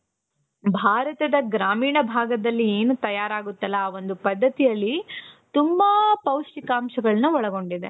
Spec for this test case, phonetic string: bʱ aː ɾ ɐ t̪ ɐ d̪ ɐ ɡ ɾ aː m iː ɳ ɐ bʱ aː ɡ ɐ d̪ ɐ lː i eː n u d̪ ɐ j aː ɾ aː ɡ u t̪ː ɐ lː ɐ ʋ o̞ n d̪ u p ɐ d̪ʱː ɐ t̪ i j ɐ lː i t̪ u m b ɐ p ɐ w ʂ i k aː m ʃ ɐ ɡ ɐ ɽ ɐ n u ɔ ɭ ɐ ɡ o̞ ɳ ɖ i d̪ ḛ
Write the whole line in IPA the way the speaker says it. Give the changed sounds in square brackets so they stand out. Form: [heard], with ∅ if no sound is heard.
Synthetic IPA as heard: bʱ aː ɾ ɐ t̪ ɐ d̪ ɐ ɡ ɾ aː m iː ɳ ɐ bʱ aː ɡ ɐ d̪ ɐ lː i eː n u [t̪] ɐ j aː ɾ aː ɡ u t̪ː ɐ lː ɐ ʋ o̞ n d̪ u p ɐ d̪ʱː ɐ t̪ i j ɐ lː i t̪ u m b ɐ p ɐ w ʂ i k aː m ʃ ɐ ɡ ɐ [ɭ] ɐ n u ɔ ɭ ɐ ɡ o̞ ɳ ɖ i d̪ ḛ